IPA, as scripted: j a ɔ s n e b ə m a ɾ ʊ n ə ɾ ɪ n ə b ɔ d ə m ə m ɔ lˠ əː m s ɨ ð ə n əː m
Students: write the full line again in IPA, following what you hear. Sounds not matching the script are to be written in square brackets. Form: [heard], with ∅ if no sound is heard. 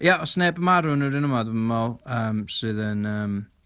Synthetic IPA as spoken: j a ɔ s n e b ə m a ɾ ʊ n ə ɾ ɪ n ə [m] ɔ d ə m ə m ɔ lˠ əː m s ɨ ð ə n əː m